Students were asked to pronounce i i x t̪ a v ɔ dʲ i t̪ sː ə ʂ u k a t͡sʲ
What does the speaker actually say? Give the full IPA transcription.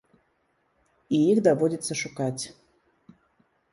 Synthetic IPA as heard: i i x d̪ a v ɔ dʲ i t̪ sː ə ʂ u k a t͡sʲ